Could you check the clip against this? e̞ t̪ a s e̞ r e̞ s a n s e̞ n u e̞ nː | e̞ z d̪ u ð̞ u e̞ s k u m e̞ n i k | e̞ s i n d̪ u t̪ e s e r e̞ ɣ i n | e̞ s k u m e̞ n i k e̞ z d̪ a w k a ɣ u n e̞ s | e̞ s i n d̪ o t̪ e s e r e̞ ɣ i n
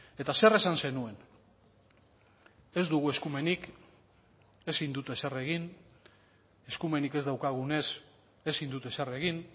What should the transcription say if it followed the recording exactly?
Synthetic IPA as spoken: e̞ t̪ a s e̞ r e̞ s a n s e̞ n u e̞ n | e̞ z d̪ u ɣ̞ u e̞ s k u m e̞ n i k | e̞ s i n d̪ u t̪ e s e r e̞ ɣ i n | e̞ s k u m e̞ n i k e̞ z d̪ a w k a ɣ u n e̞ s | e̞ s i n d̪ u t̪ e s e r e̞ ɣ i n

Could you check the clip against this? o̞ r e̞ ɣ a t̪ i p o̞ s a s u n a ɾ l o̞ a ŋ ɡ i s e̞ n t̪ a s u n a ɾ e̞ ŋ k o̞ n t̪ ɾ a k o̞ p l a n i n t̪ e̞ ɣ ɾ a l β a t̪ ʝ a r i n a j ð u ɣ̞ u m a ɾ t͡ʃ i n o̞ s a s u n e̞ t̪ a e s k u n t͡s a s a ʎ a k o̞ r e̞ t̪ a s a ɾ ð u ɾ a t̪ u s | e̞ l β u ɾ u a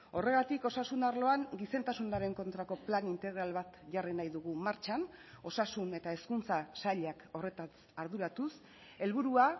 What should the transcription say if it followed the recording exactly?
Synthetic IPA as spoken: o̞ r e̞ ɣ a t̪ i k o̞ s a s u n a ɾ l o̞ a ŋ ɡ i s e̞ n t̪ a s u n a ɾ e̞ ŋ k o̞ n t̪ ɾ a k o̞ p l a n i n t̪ e̞ ɣ ɾ a l β a t̪ ʝ a r i n a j ð u ɣ̞ u m a ɾ t͡ʃ a n o̞ s a s u n e̞ t̪ a e s k u n t͡s a s a ʎ a k o̞ r e̞ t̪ a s a ɾ ð u ɾ a t̪ u s | e̞ l β u ɾ u a

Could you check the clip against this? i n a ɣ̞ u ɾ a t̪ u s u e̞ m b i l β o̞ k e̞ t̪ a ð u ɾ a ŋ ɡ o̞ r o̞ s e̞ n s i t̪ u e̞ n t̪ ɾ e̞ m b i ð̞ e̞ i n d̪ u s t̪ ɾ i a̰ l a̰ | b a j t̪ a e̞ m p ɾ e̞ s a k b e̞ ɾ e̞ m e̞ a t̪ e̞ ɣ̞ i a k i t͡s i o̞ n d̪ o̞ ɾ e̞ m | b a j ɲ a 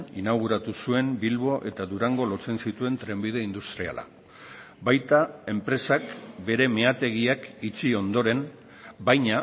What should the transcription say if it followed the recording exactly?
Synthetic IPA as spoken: i n a ɣ̞ u ɾ a t̪ u s u e̞ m b i l β o̞ ʔ e̞ t̪ a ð u ɾ a ŋ ɡ o̞ l o̞ t͡s e̞ n s i t̪ u e̞ n t̪ ɾ e̞ m b i ð̞ e̞ i n d̪ u s t̪ ɾ i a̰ l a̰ | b a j t̪ a e̞ m p ɾ e̞ s a k b e̞ ɾ e̞ m e̞ a t̪ e̞ ɣ̞ i a k i t͡s i o̞ n d̪ o̞ ɾ e̞ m | b a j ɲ a

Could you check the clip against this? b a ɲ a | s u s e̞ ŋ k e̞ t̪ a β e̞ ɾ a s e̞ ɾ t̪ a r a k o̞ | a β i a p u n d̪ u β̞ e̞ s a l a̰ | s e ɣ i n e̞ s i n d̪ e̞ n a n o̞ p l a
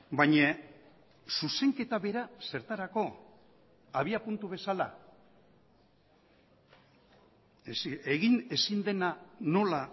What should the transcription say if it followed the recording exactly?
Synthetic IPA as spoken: b a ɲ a | s u s e̞ ŋ k e̞ t̪ a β e̞ ɾ a s e̞ ɾ t̪ a ɾ a k o̞ | a β i a p u n t̪ u β̞ e̞ s a l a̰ | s e ɣ i n e̞ s i n d̪ e̞ n a n o̞ l a

